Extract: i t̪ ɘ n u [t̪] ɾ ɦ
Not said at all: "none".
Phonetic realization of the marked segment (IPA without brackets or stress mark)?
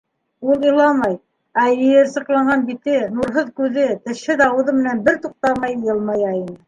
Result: none